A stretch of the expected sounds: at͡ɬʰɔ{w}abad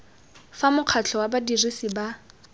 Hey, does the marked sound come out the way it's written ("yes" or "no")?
yes